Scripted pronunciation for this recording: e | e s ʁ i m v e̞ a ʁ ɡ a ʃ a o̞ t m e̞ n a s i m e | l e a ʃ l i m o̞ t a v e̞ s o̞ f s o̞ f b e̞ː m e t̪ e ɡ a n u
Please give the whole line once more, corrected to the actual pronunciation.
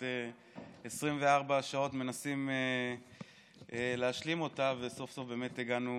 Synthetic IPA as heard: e | e s ʁ i m v e̞ a ʁ b a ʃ a o̞ t m e̞ n a s i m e | l e a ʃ l i m o̞ t a v e̞ s o̞ f s o̞ f b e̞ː m e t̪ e ɡ a n u

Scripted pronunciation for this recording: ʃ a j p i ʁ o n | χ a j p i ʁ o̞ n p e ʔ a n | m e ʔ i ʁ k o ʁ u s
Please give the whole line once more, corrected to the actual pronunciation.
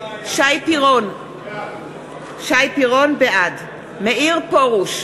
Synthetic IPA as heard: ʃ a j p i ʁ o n | ʃ a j p i ʁ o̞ n b e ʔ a d | m e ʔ i ʁ p o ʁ u ʃ

